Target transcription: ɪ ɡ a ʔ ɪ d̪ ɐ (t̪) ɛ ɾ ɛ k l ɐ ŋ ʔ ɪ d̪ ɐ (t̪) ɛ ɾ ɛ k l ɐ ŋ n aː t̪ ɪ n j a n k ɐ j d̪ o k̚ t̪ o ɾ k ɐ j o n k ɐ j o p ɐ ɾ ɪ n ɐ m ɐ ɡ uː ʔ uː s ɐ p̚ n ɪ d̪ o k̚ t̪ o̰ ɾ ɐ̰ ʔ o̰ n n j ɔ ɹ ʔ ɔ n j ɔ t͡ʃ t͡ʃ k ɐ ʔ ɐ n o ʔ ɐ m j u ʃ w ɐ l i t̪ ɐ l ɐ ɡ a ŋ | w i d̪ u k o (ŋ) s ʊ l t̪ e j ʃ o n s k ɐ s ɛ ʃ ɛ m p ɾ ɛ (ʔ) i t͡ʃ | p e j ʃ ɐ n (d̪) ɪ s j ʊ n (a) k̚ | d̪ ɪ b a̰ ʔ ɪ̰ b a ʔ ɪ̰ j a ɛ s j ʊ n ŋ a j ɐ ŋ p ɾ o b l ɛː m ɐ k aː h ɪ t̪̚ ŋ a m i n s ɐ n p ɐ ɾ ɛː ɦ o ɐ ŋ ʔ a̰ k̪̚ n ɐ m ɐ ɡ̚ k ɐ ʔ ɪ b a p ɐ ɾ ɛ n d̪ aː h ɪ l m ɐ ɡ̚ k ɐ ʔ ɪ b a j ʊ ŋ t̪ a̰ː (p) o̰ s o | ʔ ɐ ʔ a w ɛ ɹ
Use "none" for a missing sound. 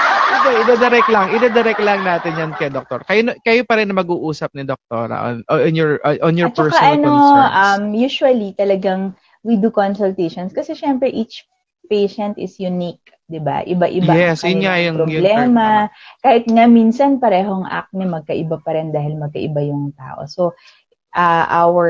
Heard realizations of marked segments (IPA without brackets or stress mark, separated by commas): d̪, d̪, n, ʔ, t̪, i, ʔ